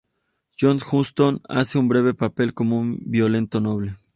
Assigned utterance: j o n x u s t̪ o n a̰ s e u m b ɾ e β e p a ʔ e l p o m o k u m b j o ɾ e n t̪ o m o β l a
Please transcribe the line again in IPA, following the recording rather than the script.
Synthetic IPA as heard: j o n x u s t̪ o n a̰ s e u m b ɾ e β e p a p e l k o m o u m b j o l e n t̪ o n o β l e